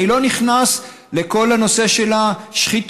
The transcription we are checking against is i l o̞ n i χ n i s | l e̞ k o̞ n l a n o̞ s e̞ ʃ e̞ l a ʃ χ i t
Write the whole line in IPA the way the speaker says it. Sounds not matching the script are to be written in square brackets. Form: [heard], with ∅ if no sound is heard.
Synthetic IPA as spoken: i l o̞ n i χ n [a] s | l e̞ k o̞ [∅] l a n o̞ s e̞ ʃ e̞ l a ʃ χ i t